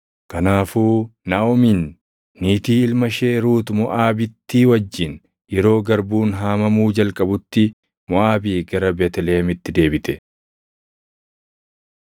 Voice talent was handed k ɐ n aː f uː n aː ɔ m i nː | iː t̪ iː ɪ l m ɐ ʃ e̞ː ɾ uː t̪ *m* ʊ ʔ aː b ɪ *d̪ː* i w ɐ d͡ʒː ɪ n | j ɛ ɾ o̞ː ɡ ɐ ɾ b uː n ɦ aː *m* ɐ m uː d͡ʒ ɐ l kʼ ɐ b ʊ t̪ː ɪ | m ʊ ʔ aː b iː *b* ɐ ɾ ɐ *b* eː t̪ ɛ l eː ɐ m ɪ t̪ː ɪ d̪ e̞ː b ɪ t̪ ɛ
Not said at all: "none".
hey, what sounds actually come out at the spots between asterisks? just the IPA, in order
m, t̪ː, m, ɡ, b

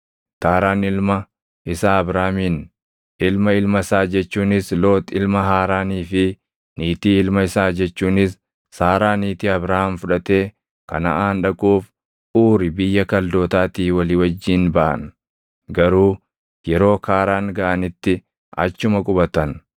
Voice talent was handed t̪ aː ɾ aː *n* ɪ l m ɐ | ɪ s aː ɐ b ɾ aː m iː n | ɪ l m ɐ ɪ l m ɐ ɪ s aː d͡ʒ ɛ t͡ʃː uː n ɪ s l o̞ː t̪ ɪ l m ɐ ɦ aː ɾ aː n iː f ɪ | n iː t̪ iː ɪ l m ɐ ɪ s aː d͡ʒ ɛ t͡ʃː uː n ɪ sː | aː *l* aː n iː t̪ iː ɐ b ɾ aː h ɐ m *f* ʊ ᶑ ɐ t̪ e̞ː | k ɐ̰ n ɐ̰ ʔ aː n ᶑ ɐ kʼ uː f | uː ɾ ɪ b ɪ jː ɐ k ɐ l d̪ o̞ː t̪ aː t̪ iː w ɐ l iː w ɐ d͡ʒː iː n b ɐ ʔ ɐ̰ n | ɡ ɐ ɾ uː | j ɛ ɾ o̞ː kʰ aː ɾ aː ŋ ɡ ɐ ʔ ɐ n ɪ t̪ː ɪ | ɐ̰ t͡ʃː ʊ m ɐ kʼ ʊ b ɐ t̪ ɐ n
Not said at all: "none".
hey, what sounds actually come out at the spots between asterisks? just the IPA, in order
n, ɾ, f

